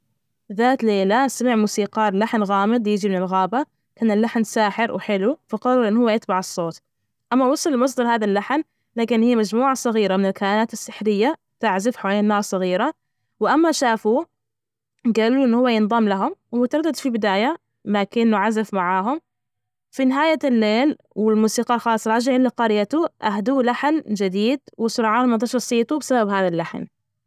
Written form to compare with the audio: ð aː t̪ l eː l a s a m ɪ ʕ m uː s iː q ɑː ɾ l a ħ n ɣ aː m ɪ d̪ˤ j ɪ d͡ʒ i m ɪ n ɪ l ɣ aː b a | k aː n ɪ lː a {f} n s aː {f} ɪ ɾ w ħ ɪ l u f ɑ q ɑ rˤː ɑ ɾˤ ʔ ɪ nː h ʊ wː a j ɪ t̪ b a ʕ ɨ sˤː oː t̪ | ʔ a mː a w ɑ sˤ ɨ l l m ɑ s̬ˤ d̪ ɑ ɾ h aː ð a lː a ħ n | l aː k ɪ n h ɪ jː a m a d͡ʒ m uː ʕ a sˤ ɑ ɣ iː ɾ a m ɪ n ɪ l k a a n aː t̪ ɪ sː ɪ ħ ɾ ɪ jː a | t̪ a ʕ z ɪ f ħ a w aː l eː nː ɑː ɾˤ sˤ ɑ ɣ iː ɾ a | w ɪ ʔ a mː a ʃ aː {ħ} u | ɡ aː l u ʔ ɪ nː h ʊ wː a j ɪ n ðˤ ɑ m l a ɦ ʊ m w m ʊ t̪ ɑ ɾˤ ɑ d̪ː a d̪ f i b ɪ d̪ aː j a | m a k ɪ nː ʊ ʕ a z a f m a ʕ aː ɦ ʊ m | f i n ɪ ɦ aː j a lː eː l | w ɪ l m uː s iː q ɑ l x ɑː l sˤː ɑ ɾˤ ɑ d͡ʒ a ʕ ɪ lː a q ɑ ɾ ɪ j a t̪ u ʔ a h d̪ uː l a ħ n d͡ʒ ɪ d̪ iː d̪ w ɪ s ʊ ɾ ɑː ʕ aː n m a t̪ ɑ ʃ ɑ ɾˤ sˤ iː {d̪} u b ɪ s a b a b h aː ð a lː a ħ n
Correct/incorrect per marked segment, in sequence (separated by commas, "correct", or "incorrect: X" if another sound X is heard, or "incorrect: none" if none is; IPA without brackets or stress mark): incorrect: ħ, incorrect: ħ, incorrect: f, incorrect: t̪